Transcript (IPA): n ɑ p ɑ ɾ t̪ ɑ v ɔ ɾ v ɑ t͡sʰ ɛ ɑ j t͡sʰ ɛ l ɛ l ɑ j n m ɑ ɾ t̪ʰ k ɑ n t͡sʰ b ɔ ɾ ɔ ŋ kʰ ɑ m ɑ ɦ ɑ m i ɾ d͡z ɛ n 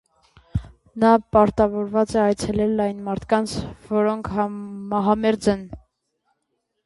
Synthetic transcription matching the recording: n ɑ p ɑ ɾ t̪ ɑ v ɔ ɾ v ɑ t͡s ɛ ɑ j t͡sʰ ɛ l ɛ l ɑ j n m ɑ ɾ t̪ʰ k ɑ n t͡sʰ v ɔ ɾ ɔ ŋ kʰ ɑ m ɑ ɦ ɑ m ɛ ɾ d͡z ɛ n